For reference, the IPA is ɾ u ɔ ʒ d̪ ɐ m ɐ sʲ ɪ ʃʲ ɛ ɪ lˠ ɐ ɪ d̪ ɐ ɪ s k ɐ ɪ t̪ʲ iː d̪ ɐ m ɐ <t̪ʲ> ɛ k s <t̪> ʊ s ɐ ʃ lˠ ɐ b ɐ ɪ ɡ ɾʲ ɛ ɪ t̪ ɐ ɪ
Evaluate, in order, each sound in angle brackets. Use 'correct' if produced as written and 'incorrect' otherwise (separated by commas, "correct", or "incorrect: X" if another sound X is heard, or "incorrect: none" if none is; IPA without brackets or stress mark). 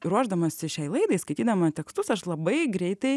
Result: correct, correct